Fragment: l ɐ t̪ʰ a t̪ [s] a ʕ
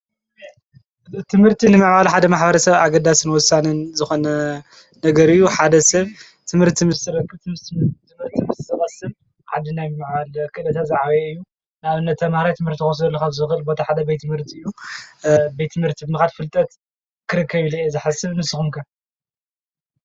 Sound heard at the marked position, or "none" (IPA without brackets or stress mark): z